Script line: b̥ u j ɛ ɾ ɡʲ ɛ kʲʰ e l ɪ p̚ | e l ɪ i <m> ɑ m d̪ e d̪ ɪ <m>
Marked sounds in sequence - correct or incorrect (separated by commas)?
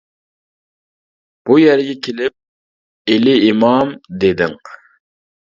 correct, incorrect